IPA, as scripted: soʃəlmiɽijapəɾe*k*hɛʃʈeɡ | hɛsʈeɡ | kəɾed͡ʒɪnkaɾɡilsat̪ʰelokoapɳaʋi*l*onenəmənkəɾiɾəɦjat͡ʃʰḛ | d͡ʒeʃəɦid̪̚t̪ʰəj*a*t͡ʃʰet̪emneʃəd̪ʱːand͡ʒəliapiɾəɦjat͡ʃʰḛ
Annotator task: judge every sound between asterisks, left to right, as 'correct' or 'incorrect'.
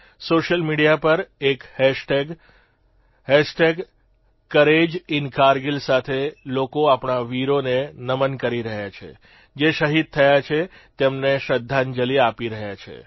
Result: correct, incorrect, correct

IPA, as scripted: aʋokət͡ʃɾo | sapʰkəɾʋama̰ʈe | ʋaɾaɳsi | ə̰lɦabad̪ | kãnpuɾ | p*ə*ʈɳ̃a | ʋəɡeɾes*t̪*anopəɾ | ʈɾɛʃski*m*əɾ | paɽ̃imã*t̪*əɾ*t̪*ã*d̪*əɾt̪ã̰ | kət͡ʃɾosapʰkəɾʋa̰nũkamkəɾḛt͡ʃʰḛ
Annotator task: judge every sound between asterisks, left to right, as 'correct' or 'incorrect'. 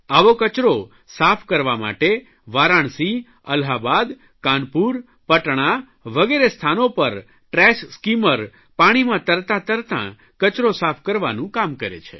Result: correct, incorrect, correct, correct, correct, incorrect

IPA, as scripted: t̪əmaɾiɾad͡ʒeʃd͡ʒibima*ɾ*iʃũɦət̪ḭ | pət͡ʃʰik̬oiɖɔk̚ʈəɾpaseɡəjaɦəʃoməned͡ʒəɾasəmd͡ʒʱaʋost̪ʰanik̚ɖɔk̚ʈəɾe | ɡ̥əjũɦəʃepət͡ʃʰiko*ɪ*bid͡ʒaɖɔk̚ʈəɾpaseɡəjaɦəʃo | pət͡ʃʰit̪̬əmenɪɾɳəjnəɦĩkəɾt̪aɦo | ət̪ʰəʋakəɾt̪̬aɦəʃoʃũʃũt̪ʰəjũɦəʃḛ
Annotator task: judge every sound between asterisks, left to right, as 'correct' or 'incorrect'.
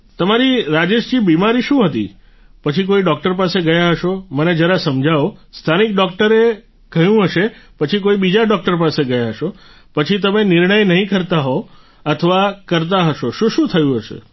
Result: correct, incorrect

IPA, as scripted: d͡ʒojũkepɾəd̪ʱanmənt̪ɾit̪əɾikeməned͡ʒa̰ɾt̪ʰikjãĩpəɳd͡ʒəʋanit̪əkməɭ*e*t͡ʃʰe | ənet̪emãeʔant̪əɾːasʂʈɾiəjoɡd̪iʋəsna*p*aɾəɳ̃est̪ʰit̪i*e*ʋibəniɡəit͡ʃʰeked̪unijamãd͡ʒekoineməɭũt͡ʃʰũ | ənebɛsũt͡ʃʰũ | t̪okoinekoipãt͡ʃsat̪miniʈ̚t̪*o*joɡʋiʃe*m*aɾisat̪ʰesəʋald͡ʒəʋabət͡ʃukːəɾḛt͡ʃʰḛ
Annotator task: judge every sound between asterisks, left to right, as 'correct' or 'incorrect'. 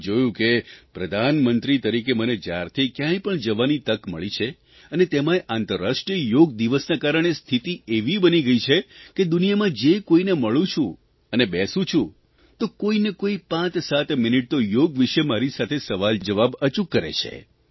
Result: incorrect, incorrect, correct, correct, correct

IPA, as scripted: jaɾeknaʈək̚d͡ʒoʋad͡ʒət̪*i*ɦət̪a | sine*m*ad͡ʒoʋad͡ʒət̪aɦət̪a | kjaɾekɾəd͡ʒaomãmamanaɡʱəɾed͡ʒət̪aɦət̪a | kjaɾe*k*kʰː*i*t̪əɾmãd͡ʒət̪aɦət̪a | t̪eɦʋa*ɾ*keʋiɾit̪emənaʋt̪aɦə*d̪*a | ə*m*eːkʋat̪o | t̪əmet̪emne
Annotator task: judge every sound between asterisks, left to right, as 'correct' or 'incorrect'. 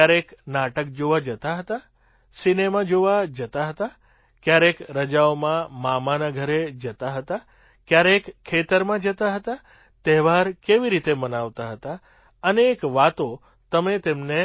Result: incorrect, correct, correct, incorrect, correct, incorrect, incorrect

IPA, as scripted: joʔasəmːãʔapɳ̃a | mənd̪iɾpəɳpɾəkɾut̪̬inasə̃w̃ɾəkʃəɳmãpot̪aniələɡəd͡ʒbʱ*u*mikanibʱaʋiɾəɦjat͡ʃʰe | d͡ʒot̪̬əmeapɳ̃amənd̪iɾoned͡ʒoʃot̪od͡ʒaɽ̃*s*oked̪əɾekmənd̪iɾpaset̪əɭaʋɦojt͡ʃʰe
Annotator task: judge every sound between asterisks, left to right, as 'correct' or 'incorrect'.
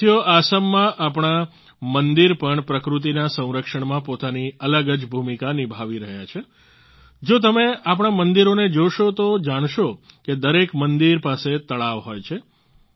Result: correct, incorrect

